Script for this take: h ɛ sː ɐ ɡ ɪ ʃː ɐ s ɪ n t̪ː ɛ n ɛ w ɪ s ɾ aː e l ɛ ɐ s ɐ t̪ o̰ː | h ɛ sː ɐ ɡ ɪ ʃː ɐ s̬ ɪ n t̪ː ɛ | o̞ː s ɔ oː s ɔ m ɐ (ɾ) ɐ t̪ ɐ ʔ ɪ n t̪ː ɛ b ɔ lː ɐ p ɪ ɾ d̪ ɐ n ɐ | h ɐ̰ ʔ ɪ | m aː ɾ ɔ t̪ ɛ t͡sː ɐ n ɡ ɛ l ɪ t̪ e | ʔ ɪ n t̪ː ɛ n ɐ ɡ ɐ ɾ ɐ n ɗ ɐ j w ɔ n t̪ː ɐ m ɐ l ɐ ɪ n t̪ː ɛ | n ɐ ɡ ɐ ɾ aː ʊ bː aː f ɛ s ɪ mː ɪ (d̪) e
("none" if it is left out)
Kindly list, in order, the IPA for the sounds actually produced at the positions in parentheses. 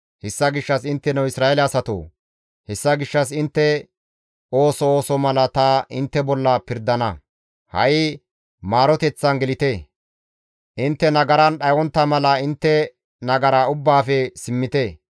l, t̪

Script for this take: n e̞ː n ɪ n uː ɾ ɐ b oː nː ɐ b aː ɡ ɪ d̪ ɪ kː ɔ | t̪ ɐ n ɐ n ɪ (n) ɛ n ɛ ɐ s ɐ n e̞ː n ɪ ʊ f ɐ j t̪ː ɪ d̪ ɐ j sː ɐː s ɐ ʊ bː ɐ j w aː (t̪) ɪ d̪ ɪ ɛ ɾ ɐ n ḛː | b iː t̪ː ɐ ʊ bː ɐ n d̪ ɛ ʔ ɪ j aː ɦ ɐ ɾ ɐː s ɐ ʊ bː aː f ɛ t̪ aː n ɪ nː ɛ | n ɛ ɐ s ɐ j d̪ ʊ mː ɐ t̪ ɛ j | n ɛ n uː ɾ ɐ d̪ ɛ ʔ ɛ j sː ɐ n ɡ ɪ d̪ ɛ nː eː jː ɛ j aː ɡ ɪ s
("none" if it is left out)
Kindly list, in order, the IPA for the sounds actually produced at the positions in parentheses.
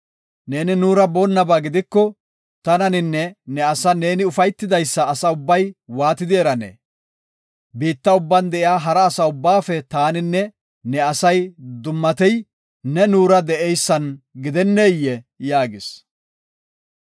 nː, t̪

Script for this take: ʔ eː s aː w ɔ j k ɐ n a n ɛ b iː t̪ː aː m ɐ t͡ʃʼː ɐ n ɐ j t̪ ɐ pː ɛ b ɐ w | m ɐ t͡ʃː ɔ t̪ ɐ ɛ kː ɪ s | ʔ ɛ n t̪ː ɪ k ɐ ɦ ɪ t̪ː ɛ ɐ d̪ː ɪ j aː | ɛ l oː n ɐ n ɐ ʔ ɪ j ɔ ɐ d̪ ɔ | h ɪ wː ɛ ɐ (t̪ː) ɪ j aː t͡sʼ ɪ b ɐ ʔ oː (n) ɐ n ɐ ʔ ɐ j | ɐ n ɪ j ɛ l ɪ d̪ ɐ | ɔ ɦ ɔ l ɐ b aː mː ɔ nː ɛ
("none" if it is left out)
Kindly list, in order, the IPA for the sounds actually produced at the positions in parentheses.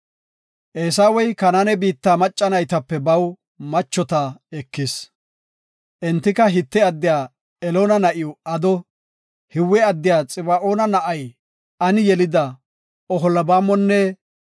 d̪ː, n

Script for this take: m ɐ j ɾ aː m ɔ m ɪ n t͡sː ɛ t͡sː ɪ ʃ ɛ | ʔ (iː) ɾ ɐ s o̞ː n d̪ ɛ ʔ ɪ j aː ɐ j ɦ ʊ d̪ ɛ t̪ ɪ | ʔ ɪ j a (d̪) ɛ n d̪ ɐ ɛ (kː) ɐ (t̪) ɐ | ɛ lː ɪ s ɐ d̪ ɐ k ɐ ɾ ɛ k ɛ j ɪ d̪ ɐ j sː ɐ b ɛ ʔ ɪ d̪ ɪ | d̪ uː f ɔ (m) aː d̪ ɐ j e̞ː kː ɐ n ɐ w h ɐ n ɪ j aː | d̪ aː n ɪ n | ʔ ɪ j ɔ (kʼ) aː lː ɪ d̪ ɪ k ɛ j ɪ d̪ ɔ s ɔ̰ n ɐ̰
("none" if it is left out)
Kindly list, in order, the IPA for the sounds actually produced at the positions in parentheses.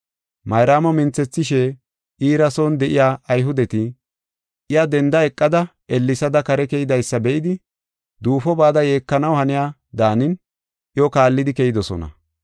iː, d̪, kʼː, d̪, b, k

